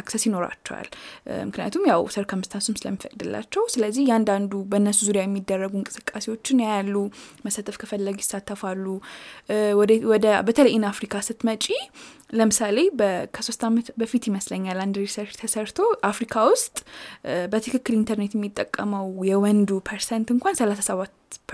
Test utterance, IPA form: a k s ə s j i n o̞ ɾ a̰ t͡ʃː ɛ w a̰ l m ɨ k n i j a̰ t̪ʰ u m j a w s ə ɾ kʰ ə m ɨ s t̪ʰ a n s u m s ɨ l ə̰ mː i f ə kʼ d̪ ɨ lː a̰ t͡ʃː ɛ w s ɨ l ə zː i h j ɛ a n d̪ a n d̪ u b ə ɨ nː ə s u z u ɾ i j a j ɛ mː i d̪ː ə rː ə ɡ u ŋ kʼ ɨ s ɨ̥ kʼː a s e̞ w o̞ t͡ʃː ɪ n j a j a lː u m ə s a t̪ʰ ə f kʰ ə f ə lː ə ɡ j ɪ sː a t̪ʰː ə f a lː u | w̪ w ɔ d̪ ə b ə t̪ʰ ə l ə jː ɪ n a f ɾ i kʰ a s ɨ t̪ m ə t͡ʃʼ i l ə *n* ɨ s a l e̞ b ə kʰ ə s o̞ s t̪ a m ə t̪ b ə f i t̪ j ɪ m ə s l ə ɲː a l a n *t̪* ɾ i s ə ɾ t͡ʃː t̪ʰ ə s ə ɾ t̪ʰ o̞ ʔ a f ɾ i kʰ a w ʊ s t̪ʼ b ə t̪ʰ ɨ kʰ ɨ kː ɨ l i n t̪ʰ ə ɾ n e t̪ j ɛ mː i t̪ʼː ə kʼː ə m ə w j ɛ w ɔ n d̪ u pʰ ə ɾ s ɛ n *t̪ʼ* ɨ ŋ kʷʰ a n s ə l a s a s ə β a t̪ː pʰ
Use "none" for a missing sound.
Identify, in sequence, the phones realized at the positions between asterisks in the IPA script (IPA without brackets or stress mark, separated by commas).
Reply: m, d̪, t̪